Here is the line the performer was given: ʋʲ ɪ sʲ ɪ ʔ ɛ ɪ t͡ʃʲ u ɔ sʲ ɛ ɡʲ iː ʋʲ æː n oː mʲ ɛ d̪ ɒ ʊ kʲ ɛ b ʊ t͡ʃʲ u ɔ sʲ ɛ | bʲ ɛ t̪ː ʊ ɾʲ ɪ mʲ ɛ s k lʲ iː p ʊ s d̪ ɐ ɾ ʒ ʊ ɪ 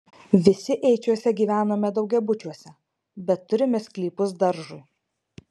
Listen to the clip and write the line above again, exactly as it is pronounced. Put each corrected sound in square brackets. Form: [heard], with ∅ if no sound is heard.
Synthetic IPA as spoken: ʋʲ ɪ sʲ ɪ ʔ ɛ ɪ t͡ʃʲ u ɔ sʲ ɛ ɡʲ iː ʋʲ æː n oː mʲ ɛ d̪ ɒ ʊ [ɡʲ] ɛ b ʊ t͡ʃʲ u ɔ sʲ ɛ | bʲ ɛ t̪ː ʊ ɾʲ ɪ mʲ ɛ s k lʲ iː p ʊ s d̪ ɐ ɾ ʒ ʊ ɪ

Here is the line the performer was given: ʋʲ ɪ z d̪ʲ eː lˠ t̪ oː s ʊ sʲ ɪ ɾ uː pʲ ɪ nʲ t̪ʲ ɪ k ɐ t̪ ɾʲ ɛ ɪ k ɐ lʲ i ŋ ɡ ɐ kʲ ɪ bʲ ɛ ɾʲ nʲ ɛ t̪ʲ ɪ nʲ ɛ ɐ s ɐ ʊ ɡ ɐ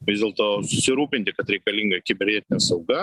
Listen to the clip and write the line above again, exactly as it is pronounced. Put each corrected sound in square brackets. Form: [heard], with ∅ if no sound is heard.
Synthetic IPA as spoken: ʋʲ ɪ z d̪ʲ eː lˠ t̪ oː s ʊ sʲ ɪ ɾ uː pʲ ɪ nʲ t̪ʲ ɪ k ɐ t̪ ɾʲ ɛ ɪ k ɐ lʲ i ŋ ɡ ɐ kʲ ɪ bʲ ɛ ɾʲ nʲ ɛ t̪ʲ ɪ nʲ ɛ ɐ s ɐ ʊ ɡ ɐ

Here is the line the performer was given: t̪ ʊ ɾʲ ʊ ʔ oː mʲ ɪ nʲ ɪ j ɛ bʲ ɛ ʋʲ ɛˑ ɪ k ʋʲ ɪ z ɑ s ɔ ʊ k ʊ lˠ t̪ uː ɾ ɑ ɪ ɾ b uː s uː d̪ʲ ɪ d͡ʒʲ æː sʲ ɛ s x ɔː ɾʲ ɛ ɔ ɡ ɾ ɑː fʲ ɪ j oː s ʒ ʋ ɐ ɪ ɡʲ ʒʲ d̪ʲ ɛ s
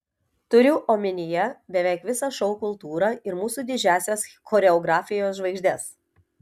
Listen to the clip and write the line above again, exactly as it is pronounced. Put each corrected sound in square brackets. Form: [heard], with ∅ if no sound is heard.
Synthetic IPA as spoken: t̪ ʊ ɾʲ ʊ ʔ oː mʲ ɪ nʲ ɪ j ɛ bʲ ɛ ʋʲ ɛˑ ɪ k ʋʲ ɪ [s] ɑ [ʃ] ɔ ʊ k ʊ lˠ t̪ uː ɾ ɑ ɪ ɾ [m] uː s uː d̪ʲ ɪ d͡ʒʲ æː sʲ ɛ s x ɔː ɾʲ ɛ ɔ ɡ ɾ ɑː fʲ ɪ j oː s ʒ ʋ ɐ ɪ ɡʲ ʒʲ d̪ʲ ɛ s

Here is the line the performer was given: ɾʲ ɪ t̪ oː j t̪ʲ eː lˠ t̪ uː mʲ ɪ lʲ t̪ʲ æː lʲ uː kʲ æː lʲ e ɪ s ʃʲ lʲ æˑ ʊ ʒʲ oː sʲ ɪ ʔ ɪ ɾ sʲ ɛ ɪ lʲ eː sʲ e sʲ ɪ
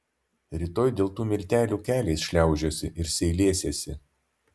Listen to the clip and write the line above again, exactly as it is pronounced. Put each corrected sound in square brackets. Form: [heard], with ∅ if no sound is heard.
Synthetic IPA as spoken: ɾʲ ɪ t̪ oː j [d̪ʲ] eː lˠ t̪ uː mʲ ɪ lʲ t̪ʲ æː lʲ uː kʲ æː lʲ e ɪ s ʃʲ lʲ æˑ ʊ ʒʲ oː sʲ ɪ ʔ ɪ ɾ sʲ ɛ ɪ lʲ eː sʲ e sʲ ɪ

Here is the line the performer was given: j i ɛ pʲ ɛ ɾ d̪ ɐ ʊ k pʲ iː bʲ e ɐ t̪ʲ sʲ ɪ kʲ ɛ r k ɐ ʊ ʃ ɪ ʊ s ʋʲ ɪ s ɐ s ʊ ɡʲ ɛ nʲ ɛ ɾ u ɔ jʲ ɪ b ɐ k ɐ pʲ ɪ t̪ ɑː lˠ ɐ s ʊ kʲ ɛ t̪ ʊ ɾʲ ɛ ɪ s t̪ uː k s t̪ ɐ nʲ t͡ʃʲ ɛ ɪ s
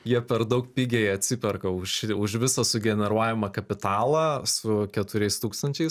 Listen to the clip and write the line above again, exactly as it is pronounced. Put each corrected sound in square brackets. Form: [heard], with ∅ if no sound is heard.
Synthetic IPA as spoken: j i ɛ pʲ ɛ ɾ d̪ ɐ ʊ k pʲ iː [ɡʲ] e ɐ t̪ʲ sʲ ɪ [pʲ] ɛ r k ɐ ʊ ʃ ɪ ʊ [ʃ] ʋʲ ɪ s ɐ s ʊ ɡʲ ɛ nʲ ɛ ɾ u ɔ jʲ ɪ [m] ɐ k ɐ pʲ ɪ t̪ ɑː lˠ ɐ s ʊ kʲ ɛ t̪ ʊ ɾʲ ɛ ɪ s t̪ uː k s t̪ ɐ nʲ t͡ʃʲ ɛ ɪ s

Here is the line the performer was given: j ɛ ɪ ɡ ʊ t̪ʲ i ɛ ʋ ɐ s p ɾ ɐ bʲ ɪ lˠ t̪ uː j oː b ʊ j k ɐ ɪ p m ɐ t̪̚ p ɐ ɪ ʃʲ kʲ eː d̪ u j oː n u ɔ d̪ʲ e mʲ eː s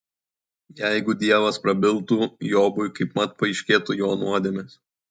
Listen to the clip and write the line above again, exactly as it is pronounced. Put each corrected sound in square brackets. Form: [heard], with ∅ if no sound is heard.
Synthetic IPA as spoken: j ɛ ɪ ɡ ʊ [d̪ʲ] i ɛ ʋ ɐ s p ɾ ɐ bʲ ɪ lˠ t̪ uː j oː b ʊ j k ɐ ɪ p m ɐ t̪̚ p ɐ ɪ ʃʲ kʲ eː [t̪] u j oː n u ɔ d̪ʲ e mʲ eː s

